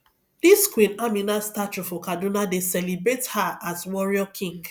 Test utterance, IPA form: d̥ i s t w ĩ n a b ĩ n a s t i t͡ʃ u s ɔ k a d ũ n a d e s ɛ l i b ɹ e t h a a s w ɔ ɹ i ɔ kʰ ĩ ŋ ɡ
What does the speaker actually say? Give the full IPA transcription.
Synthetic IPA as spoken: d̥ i s k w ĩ n a m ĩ n a s t a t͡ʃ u f ɔ k a d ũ n a d e s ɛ l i b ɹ e t h a a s w ɔ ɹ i ɔ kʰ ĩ ŋ ɡ